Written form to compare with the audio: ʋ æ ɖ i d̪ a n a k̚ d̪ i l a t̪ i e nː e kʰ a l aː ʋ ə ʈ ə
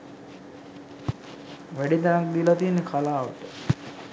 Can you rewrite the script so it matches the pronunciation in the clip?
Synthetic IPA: ʋ æ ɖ i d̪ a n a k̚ d̪ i l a t̪ i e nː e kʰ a l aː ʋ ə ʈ ə